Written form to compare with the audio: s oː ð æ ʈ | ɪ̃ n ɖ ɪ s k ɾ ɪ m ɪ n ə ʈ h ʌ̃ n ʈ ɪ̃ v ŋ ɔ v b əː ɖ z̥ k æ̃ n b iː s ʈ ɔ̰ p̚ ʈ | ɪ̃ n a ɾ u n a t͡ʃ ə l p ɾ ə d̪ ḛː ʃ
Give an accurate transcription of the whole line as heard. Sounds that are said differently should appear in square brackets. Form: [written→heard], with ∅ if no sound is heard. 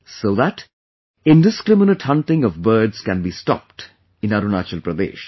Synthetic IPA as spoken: s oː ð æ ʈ | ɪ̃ n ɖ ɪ s k ɾ ɪ m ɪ n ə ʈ h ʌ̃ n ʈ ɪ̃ [v→∅] ŋ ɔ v b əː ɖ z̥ k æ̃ n b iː s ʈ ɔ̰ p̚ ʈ | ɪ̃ n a ɾ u n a t͡ʃ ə l p ɾ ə d̪ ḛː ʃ